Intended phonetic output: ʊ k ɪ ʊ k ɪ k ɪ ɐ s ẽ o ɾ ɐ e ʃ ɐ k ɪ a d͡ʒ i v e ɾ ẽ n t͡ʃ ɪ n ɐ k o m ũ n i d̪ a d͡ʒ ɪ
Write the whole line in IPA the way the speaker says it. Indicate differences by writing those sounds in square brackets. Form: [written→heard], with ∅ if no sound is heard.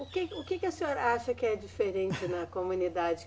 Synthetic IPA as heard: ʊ k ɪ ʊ k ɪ k ɪ ɐ s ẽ o ɾ ɐ [e→a] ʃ ɐ k ɪ [a→ɛ] d͡ʒ i [v→f] e ɾ ẽ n t͡ʃ ɪ n ɐ k o m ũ n i d̪ a d͡ʒ ɪ